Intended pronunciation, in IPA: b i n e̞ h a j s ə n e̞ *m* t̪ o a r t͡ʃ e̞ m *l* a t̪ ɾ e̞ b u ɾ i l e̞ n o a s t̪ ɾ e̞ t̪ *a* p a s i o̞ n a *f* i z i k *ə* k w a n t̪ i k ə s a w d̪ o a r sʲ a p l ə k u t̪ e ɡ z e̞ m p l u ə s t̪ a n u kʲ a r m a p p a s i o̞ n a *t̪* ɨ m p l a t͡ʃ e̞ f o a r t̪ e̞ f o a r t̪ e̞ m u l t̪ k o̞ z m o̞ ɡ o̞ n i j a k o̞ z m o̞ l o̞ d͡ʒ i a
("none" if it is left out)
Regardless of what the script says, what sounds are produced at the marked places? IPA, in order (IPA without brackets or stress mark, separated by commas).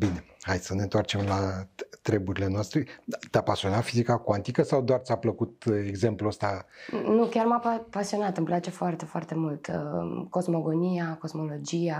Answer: n, l, a, f, a, t̪